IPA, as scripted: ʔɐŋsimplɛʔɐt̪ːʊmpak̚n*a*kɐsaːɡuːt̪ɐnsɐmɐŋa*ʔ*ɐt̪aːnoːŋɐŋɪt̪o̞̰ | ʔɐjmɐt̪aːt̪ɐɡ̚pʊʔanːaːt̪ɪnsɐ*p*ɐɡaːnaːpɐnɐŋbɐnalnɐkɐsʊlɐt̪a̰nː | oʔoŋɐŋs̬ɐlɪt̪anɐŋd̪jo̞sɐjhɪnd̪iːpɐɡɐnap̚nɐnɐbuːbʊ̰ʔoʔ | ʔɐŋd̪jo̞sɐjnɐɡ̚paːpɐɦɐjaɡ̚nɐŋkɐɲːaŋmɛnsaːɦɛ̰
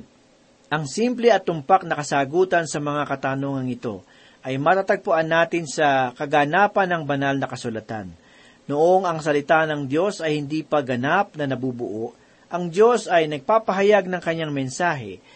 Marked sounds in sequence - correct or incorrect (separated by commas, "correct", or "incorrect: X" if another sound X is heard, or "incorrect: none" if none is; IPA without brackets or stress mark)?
incorrect: ɐ, incorrect: k, incorrect: k